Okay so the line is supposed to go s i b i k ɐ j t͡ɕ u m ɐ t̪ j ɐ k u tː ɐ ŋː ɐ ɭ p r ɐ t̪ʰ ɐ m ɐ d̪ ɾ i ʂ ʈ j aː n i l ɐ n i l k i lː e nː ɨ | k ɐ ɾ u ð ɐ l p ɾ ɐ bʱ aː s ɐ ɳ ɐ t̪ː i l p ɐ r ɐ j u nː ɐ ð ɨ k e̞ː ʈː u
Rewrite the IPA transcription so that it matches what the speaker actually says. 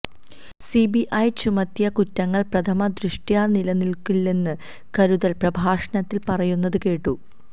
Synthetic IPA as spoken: s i b i ʔ ɐ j t͡ɕ u m ɐ t̪ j ɐ k u tː ɐ ŋː ɐ ɭ p r ɐ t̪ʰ ɐ m ɐ d̪ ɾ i ʂ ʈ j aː n i l ɐ n i l k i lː e nː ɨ | k ɐ ɾ u ð ɐ l p r ɐ bʱ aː ʂ ɐ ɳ ɐ t̪ː i l p ɐ r ɐ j u nː ɐ ð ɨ k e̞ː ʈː u